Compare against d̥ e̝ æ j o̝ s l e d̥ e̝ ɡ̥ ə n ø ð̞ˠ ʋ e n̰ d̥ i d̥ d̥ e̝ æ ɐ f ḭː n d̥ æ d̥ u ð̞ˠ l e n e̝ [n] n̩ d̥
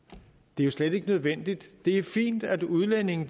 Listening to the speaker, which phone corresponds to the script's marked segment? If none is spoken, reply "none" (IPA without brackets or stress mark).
ŋ